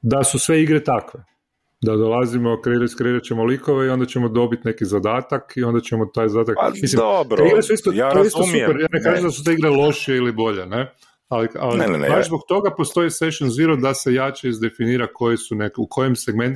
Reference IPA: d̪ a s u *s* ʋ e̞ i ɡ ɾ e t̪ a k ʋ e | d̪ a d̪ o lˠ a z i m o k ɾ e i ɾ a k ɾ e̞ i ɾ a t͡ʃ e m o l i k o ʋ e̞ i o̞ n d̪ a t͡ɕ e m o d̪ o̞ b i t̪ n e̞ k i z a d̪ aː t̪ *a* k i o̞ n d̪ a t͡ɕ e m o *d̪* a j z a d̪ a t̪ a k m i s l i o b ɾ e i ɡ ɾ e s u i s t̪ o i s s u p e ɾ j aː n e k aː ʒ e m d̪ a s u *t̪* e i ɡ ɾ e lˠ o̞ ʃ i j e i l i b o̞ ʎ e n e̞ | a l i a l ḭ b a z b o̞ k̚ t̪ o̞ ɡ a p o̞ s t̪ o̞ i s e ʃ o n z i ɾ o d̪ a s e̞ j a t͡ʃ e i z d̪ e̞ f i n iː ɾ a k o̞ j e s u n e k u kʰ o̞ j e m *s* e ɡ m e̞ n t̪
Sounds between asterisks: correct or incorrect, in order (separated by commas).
correct, correct, incorrect, correct, correct